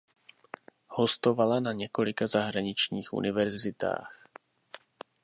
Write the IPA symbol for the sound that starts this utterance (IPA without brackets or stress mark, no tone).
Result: h